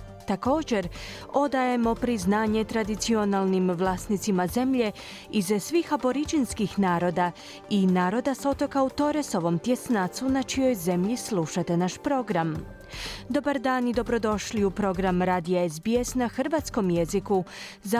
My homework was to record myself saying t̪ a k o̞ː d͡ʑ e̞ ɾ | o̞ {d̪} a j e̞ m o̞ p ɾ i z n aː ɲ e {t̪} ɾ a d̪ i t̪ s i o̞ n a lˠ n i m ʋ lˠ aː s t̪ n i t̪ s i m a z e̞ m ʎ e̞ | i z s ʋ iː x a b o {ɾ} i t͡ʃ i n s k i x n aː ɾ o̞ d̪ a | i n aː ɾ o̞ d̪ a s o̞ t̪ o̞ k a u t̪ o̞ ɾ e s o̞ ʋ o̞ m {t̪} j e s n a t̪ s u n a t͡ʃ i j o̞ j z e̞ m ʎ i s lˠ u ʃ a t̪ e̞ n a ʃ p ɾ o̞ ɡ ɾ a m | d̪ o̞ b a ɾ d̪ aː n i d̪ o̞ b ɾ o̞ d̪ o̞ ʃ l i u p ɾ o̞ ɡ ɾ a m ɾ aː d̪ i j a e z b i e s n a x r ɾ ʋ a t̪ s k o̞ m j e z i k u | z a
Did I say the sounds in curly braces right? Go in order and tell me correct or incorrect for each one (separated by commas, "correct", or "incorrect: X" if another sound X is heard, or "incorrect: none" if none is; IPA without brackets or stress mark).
correct, correct, correct, correct